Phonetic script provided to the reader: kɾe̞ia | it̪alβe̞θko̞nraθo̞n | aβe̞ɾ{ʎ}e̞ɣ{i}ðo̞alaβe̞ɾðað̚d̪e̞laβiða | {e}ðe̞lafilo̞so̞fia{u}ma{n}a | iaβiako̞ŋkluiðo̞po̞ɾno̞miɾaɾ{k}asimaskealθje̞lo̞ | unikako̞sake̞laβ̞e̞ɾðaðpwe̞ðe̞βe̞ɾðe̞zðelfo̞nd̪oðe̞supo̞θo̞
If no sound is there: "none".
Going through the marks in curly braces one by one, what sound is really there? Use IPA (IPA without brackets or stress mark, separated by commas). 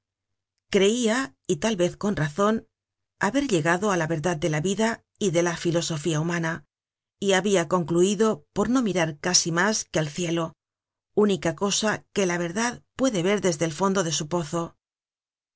ʎ, a, i, u, n, k